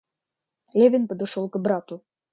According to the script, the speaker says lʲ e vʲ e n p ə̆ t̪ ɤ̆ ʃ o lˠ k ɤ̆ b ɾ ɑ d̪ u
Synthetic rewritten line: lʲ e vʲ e n p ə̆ d̪ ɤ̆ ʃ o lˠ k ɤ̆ b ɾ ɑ t̪ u

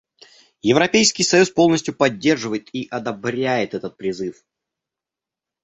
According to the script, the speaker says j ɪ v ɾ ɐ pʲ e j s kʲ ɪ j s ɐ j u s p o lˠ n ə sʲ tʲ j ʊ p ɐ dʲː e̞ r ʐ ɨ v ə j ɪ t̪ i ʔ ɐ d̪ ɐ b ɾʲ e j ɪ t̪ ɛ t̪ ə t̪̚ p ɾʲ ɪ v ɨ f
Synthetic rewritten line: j ɪ v ɾ ɐ pʲ e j s kʲ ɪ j s ɐ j u s p o lˠ n ə sʲ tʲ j ʊ p ɐ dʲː e̞ r ʐ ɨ v ə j ɪ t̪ i ʔ ɐ d̪ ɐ b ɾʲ æ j ɪ t̪ ɛ t̪ ə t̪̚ p ɾʲ ɪ z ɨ f

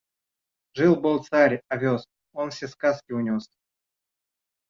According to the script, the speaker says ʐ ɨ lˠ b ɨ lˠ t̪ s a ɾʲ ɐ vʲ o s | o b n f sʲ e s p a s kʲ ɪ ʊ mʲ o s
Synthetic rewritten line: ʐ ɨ lˠ b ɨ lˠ t̪ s a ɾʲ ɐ vʲ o s | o n f sʲ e s k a s kʲ ɪ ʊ nʲ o s

